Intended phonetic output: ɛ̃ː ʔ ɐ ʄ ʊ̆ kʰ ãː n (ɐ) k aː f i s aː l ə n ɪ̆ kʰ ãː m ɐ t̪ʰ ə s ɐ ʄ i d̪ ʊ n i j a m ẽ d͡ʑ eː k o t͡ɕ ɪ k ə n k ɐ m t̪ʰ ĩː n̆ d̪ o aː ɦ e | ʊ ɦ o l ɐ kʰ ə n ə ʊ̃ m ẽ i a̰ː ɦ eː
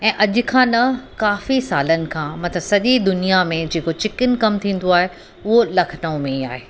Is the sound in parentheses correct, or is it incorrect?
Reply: correct